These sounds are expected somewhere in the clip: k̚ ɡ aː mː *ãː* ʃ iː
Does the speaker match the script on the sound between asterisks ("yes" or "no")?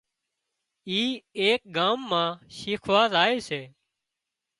yes